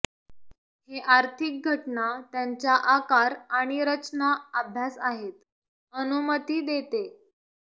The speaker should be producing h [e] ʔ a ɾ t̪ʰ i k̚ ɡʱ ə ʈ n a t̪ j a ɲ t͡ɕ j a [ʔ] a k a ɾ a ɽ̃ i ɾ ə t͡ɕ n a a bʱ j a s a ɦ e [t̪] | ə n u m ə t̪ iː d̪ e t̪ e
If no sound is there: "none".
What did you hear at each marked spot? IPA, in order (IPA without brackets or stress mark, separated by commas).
e, ʔ, t̪